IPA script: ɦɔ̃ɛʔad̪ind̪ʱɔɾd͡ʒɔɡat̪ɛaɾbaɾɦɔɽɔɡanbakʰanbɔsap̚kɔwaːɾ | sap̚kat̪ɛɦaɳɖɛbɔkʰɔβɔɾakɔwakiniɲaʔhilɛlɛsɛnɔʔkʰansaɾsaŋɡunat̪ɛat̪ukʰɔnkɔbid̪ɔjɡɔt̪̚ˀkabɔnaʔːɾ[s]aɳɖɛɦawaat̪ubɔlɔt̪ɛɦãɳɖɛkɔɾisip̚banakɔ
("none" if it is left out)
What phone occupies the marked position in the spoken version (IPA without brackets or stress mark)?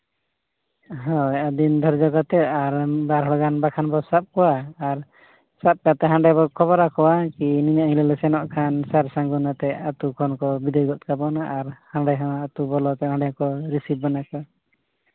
h